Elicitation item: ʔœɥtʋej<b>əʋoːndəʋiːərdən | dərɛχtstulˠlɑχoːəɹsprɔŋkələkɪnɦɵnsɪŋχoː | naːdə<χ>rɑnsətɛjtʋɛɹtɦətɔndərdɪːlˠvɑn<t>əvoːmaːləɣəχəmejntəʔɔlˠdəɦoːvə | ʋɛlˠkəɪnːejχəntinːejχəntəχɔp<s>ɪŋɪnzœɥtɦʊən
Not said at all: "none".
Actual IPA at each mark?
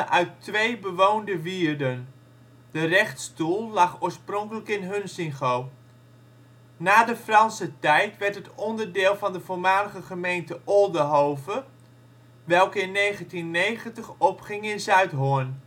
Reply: b, f, d, χ

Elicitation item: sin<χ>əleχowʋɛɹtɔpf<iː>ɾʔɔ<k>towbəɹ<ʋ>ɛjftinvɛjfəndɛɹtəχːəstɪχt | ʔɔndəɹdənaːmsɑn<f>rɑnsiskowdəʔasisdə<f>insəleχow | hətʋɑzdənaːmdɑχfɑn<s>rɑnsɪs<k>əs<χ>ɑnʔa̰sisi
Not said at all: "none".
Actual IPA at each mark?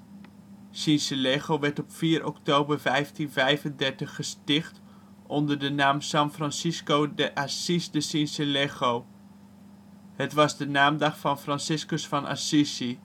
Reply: s, iː, k, v, f, s, f, k, f

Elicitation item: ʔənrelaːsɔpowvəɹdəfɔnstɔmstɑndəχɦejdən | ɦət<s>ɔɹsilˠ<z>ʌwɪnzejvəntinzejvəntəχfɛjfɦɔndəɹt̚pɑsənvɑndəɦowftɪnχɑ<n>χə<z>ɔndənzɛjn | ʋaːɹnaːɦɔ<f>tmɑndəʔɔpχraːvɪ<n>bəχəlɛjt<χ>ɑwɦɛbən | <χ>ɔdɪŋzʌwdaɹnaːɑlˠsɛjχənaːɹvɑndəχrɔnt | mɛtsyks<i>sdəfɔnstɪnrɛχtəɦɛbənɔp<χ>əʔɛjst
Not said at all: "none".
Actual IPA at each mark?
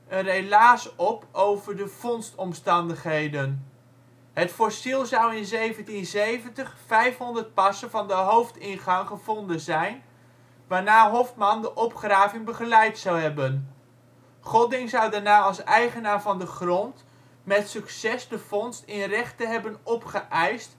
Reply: f, z, ŋ, v, f, ŋ, s, χ, ɛ, χ

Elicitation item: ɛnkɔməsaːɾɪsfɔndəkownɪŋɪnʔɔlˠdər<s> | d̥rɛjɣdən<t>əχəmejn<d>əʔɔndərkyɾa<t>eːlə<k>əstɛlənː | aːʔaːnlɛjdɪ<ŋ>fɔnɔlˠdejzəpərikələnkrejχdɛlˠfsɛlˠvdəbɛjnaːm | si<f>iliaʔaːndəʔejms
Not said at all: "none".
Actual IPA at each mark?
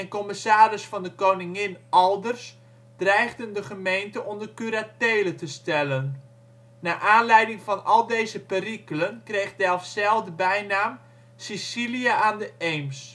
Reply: s, d, t, t, t, ŋ, s

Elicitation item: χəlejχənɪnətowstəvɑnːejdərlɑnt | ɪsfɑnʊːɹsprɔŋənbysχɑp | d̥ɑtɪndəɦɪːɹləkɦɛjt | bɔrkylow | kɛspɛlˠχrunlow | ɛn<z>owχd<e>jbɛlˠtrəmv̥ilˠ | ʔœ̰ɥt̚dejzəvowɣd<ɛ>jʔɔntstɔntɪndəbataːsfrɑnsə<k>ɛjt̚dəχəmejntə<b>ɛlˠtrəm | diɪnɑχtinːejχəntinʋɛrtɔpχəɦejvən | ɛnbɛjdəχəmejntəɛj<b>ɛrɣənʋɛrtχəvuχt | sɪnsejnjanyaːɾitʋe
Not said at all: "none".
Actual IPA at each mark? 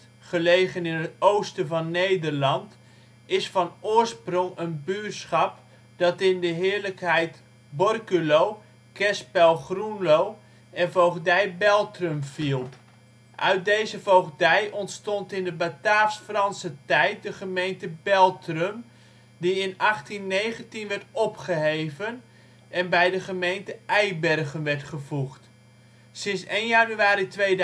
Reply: v, ɛ, ɛ, t, b, b

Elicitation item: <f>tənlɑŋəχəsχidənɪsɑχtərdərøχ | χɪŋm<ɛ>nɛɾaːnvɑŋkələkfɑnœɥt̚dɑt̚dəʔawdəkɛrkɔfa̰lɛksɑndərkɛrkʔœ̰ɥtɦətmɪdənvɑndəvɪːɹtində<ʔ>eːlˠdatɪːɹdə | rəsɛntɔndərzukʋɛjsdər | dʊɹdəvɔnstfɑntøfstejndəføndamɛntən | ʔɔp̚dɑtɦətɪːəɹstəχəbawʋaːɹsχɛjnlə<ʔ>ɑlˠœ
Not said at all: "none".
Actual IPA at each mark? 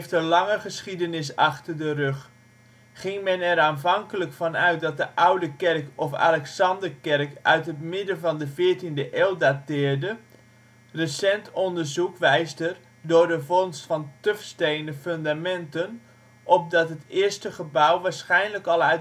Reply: f, ɛ, ʔ, k

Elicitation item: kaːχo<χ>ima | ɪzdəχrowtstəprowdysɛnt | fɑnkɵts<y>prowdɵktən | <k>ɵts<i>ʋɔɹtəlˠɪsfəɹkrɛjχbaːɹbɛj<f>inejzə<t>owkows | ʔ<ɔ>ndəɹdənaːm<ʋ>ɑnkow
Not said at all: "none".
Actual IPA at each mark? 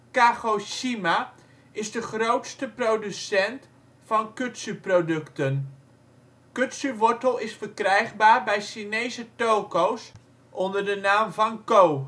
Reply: ʃ, y, k, y, ʃ, t, ɔ, v

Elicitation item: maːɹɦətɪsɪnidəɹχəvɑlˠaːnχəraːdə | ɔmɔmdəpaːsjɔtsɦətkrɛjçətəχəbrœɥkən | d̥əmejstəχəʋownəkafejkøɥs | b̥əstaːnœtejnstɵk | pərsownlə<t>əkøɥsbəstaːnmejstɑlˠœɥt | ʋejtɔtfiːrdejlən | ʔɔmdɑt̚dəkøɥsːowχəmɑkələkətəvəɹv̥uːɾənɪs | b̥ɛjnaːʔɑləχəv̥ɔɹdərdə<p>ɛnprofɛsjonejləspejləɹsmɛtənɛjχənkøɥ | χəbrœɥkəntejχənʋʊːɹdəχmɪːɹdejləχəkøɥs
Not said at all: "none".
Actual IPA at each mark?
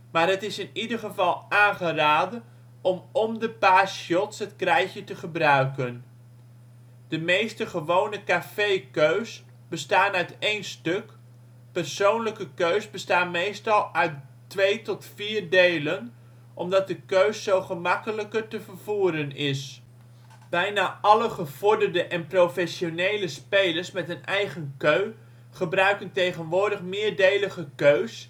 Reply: k, ʔ

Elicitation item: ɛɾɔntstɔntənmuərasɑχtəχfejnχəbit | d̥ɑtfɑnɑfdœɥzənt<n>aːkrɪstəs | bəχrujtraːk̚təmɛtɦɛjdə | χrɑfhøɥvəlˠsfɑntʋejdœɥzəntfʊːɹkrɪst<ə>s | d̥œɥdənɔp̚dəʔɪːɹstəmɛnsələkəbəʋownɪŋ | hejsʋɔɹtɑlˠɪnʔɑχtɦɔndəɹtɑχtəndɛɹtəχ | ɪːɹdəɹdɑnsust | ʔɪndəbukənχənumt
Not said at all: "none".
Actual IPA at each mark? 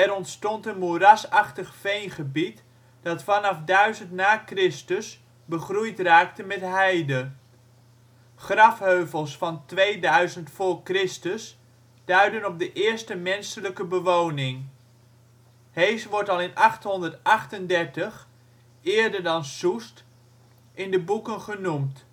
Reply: n, ə

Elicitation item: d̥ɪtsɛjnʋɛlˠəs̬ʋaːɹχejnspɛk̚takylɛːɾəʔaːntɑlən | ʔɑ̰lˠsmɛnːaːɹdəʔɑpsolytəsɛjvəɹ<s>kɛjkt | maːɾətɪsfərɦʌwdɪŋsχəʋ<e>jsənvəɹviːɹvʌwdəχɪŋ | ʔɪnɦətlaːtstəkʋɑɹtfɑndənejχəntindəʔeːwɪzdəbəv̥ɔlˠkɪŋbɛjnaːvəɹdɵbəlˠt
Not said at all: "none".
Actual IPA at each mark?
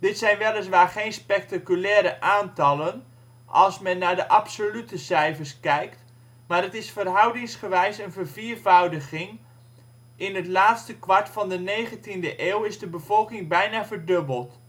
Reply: s, ɛ

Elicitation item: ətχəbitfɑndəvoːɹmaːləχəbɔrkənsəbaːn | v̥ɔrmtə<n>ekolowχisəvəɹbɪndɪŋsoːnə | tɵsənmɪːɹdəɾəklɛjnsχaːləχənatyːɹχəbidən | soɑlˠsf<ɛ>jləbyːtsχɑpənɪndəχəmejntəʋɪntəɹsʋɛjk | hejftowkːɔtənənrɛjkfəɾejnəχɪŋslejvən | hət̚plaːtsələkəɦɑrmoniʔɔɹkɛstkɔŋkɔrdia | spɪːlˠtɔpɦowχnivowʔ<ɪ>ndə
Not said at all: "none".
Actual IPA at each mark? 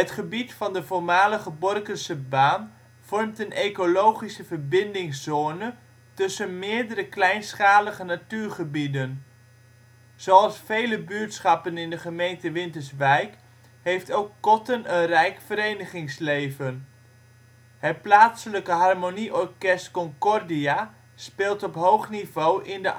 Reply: n, e, ɪ

